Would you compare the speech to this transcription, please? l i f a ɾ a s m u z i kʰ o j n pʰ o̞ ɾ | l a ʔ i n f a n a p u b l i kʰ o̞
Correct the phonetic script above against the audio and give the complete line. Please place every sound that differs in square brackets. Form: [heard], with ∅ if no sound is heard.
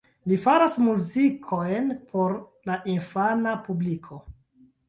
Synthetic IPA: l i f a ɾ a s m u z i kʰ o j n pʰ o̞ ɾ | l a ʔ i n f a n a p u b l i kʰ o̞

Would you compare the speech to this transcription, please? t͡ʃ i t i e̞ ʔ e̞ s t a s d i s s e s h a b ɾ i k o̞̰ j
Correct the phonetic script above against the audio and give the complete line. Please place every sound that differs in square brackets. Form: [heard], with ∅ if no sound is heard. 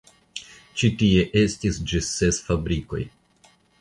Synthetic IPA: t͡ʃ i t i e̞ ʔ e̞ s t [i] s [d͡ʒ] i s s e s [f] a b ɾ i k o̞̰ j

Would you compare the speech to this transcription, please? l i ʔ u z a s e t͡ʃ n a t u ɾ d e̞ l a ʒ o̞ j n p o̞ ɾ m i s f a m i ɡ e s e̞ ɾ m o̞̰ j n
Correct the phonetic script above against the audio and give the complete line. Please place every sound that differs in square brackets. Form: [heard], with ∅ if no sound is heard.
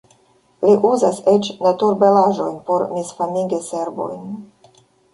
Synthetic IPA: l i ʔ u z a s e t͡ʃ n a t u ɾ [b] e̞ l a ʒ o̞ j n p o̞ ɾ m i s f a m i ɡ e s e̞ ɾ [b] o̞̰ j n

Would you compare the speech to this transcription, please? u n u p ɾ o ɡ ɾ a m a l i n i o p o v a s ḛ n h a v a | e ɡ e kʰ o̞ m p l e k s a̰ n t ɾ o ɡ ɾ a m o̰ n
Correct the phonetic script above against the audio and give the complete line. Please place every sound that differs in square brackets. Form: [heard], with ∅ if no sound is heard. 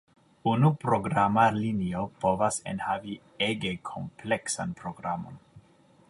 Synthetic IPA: u n u p ɾ o ɡ ɾ a m a l i n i o p o v a s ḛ n h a v [i] | e ɡ e kʰ o̞ m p l e k s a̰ n [p] ɾ o ɡ ɾ a m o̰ n

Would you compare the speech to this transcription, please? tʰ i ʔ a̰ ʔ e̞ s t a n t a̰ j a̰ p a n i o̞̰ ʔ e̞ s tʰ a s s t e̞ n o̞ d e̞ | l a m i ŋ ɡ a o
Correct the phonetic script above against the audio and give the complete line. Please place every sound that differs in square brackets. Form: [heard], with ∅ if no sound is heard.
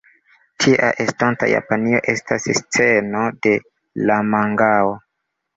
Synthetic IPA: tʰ i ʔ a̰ ʔ e̞ s t a n t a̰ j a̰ p a n i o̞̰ ʔ e̞ s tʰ a s s [t͡s] e̞ n o̞ d e̞ | l a m [a] ŋ ɡ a o

